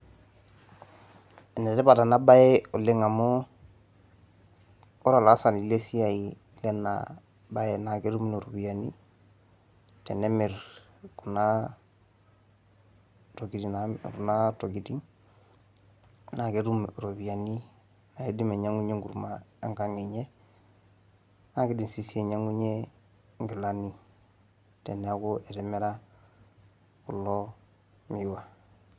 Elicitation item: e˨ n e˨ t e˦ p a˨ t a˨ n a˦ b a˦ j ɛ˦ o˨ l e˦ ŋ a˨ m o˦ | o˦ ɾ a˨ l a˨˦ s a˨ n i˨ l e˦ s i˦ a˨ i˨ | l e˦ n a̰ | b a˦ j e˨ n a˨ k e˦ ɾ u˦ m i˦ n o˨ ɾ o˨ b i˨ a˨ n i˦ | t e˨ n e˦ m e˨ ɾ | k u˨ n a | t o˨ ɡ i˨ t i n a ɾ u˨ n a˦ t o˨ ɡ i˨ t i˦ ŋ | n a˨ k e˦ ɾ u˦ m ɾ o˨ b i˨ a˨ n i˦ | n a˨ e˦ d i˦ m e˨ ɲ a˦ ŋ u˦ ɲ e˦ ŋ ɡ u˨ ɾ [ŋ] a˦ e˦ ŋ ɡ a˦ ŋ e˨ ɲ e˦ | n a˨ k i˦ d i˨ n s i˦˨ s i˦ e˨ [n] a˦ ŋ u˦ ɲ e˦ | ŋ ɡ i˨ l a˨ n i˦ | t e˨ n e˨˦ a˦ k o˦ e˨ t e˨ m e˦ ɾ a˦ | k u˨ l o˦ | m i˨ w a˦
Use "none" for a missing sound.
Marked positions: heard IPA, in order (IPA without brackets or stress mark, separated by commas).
m, ɲ